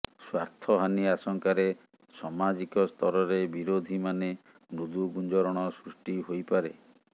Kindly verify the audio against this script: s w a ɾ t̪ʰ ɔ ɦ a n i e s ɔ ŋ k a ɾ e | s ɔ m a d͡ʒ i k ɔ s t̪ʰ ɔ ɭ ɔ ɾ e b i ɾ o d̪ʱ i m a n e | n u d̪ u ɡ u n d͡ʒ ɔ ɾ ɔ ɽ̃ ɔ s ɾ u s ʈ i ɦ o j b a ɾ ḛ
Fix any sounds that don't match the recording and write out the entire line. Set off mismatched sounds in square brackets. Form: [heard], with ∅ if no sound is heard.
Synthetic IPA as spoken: s w a ɾ t̪ʰ ɔ ɦ a n i [a] s ɔ ŋ k a ɾ e | s ɔ m a d͡ʒ i k ɔ s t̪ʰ ɔ [ɾ] ɔ ɾ e b i ɾ o d̪ʱ i m a n e | n u d̪ u ɡ u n d͡ʒ ɔ ɾ ɔ ɽ̃ ɔ s ɾ u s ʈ i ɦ o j [p] a ɾ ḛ